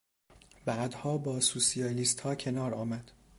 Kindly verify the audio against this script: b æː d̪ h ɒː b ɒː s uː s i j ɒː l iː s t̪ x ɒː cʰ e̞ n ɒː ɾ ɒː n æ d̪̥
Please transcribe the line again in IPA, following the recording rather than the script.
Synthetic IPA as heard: b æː d̪ h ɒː b ɒː s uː s i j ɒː l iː s t̪ h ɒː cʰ e̞ n ɒː ɾ ɒː m æ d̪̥